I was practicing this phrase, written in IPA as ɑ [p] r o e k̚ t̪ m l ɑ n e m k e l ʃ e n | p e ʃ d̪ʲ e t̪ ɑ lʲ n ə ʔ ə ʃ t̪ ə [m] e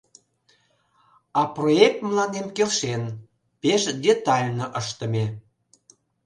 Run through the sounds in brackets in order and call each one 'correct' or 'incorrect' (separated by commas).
correct, correct